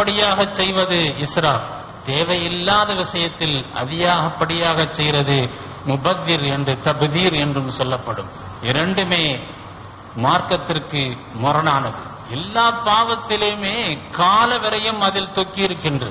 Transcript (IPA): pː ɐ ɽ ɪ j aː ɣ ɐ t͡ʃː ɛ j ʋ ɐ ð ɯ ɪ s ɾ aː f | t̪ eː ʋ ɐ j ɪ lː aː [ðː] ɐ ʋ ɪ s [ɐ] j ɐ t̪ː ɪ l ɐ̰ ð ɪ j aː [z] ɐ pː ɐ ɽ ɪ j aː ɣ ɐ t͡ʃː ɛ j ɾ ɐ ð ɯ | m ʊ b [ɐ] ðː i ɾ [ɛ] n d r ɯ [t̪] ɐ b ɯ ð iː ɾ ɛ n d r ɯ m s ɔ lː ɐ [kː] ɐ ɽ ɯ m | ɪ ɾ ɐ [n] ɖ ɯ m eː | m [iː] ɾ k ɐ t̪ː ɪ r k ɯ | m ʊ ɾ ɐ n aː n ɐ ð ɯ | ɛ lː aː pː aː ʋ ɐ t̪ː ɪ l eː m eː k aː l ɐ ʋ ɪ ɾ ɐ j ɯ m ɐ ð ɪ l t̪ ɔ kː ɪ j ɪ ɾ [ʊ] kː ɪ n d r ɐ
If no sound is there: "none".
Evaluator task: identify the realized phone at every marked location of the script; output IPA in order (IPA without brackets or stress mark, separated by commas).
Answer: ð, ɐ, ɣ, ɐ, ɛ, t̪, pː, ɳ, aː, ɯ